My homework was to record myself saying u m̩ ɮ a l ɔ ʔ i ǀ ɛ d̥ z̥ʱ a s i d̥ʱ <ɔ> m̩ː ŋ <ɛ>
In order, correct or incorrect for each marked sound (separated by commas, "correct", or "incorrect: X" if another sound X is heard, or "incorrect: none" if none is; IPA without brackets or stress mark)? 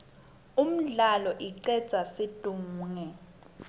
incorrect: u, correct